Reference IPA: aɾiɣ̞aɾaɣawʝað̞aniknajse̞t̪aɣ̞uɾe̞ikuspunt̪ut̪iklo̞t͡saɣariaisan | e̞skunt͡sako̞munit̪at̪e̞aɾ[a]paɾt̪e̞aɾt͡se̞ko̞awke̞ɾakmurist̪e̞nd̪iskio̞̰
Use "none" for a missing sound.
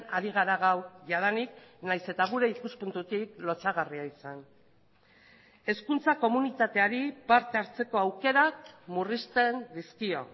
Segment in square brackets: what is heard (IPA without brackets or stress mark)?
i